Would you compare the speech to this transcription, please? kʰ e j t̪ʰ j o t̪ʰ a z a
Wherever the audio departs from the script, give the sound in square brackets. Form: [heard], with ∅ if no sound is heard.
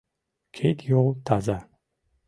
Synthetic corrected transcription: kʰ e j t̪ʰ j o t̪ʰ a z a